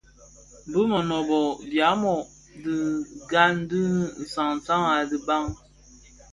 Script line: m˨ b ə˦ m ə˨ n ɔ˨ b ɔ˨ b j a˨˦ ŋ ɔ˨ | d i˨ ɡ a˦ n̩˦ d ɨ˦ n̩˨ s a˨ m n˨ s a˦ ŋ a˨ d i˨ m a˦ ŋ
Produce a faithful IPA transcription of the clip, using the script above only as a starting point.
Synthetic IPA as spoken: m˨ b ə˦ m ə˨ n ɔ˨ b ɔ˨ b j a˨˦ m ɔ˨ | d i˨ ɡ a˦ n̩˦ d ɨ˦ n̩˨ s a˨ ŋ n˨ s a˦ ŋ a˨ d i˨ b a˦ ŋ

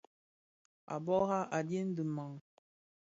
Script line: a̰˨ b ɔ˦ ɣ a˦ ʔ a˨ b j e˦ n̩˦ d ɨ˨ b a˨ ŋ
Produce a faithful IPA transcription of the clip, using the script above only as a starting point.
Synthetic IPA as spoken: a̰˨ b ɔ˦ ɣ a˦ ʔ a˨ d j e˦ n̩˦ d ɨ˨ m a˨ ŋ

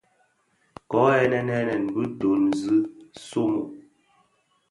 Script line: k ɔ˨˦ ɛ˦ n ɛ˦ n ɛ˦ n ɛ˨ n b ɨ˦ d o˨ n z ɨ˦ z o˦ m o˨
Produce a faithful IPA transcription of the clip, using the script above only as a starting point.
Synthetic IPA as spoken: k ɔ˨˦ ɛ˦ n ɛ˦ n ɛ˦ n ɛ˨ n b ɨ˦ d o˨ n z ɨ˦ s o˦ m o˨

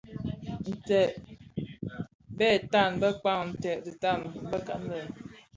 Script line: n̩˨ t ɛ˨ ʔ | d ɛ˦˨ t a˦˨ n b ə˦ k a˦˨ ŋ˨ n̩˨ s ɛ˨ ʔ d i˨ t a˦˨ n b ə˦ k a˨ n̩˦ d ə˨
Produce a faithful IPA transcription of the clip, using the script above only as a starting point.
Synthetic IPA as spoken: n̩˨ t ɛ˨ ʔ | b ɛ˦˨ t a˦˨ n b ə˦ k͡p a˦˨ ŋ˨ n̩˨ t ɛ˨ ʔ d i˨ t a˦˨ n b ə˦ k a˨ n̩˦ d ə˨

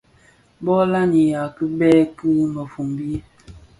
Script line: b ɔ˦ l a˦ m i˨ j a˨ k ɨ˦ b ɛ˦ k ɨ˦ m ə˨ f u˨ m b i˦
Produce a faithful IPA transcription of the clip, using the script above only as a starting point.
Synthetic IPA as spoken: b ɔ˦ l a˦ n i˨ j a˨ k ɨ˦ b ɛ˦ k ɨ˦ m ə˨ f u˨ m b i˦

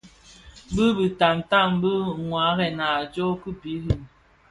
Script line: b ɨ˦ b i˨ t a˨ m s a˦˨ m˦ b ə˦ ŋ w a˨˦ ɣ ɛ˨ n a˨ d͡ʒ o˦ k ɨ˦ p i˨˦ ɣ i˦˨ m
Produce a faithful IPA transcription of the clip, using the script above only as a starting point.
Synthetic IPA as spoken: b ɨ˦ b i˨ t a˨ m t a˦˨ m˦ b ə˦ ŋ w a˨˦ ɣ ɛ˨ n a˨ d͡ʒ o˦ k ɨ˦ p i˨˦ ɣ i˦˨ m

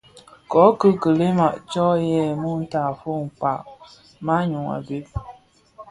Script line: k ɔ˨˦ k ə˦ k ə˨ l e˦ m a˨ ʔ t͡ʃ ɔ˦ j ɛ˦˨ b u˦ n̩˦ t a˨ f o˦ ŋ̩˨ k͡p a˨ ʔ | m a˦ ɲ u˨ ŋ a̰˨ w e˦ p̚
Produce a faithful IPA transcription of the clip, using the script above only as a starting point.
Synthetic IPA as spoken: k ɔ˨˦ k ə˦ k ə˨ l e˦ m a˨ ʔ t͡ʃ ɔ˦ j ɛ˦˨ m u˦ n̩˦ t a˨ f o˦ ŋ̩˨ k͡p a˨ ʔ | m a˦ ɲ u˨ ŋ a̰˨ b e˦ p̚

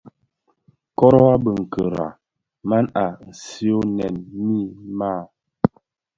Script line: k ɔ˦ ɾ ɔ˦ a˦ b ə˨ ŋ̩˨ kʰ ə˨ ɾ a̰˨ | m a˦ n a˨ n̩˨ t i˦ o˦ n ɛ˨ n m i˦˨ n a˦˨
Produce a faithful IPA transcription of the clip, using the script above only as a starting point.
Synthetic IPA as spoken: k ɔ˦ ɾ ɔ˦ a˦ b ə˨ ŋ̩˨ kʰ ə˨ ɾ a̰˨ | m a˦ n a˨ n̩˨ s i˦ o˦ n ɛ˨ n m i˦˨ m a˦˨

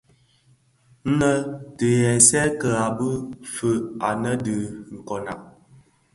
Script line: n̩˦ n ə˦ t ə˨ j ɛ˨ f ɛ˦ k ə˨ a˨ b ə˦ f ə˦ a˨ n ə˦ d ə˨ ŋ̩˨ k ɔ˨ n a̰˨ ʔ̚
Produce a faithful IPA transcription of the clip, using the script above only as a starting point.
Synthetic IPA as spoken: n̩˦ n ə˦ t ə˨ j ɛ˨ s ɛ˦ k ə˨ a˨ b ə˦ f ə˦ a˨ n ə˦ d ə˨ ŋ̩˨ k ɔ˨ n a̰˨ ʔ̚

